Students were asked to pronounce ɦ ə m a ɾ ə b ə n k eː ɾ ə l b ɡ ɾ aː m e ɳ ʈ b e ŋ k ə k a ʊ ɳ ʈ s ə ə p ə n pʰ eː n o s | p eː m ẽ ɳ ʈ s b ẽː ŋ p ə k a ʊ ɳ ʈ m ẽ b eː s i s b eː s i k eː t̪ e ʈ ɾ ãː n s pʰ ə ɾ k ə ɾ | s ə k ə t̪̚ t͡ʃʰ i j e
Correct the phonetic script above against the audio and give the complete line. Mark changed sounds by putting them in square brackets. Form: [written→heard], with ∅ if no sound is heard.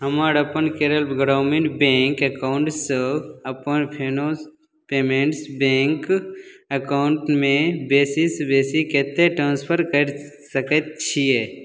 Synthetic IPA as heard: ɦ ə m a ɾ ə [b→p] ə n k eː ɾ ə l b ɡ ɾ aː m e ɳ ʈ b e ŋ k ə k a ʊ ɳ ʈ s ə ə p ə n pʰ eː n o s | p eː m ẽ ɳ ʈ s b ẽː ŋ [p→k] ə k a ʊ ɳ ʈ m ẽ b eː s i s b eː s i k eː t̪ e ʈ ɾ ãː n s pʰ ə ɾ k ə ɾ | s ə k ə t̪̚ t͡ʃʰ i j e